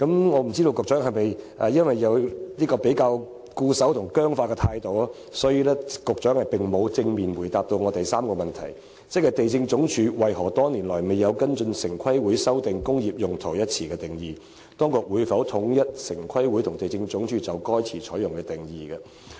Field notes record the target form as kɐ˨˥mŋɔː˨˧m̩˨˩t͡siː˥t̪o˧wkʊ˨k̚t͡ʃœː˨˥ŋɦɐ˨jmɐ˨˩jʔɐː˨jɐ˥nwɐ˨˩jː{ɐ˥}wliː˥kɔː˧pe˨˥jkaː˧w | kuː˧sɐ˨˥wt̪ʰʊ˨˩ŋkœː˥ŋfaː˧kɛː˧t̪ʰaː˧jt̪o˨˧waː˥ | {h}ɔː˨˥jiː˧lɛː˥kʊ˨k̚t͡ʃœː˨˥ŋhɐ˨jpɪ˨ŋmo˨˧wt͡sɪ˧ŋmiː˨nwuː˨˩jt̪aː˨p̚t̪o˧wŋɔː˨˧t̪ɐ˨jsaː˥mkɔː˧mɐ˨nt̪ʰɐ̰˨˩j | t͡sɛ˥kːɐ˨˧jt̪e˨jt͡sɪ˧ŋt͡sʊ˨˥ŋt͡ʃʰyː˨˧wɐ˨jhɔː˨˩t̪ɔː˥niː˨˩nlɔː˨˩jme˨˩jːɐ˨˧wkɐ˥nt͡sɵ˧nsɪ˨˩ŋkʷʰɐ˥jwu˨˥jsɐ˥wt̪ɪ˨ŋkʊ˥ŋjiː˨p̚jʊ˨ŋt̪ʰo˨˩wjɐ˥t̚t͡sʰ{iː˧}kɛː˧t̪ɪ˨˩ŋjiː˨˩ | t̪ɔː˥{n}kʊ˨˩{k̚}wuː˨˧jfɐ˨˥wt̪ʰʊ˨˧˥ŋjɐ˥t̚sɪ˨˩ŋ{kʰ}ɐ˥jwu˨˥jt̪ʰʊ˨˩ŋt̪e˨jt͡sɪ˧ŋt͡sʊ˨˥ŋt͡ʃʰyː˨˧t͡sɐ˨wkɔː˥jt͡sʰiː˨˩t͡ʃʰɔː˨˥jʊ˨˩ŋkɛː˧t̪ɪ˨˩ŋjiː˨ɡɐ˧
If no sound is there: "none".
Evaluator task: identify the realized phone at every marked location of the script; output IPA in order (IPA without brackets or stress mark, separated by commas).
ɐ˨˧, s, iː˨˩, ŋ, k̚, kʰ